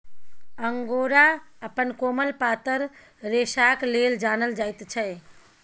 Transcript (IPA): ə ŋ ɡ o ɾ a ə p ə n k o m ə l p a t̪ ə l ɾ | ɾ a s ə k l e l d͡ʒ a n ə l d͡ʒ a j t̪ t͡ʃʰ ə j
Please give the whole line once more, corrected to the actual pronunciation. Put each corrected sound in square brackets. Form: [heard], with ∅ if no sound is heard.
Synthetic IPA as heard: ə ŋ ɡ o ɾ a ə p ə n k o m ə l p a t̪ ə [∅] ɾ | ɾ [e] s [a] k l e l d͡ʒ a n ə l d͡ʒ a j t̪ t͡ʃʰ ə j